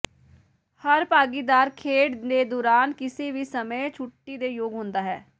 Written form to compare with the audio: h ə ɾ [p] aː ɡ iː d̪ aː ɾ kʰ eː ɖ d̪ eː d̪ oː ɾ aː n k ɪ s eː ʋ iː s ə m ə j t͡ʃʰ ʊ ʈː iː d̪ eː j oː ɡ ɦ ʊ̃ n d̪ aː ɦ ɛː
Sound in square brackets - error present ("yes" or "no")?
no